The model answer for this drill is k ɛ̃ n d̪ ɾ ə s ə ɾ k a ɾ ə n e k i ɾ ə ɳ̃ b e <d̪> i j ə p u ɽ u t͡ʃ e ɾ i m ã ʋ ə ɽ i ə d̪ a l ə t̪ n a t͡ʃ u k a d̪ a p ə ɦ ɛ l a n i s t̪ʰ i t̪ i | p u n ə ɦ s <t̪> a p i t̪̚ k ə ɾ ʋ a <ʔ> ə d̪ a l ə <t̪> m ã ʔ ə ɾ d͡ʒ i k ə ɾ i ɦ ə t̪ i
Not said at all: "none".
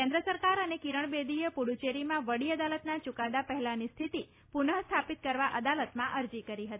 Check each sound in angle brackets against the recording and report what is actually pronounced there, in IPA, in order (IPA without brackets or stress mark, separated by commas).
d̪, t̪ʰ, ʔ, t̪